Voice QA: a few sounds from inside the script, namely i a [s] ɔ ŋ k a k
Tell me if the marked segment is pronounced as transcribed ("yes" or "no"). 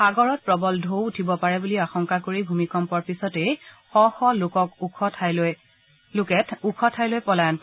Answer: no